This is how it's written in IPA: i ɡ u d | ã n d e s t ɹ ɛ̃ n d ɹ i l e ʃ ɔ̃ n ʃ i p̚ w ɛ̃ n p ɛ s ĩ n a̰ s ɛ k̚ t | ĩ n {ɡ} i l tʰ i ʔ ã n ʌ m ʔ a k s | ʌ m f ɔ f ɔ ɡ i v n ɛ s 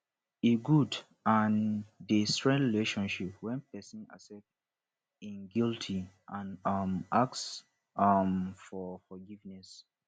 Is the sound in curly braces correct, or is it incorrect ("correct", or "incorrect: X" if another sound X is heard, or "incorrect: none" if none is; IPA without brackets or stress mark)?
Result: correct